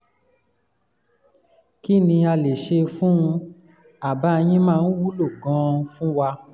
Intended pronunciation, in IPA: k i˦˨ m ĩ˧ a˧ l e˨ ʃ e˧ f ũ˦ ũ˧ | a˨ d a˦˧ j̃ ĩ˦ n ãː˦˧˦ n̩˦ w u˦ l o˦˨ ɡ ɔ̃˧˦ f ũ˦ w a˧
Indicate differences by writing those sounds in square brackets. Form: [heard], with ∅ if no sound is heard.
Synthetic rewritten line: k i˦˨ [n] ĩ˧ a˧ l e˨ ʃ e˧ f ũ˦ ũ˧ | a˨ [b] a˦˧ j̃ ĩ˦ [m] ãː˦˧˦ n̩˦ w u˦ l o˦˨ ɡ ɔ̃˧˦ f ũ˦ w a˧